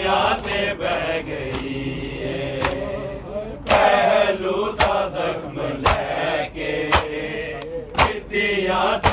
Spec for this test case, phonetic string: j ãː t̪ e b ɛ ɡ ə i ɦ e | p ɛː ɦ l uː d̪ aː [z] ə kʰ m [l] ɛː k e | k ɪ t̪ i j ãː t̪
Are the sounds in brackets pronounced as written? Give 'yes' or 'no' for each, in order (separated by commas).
yes, yes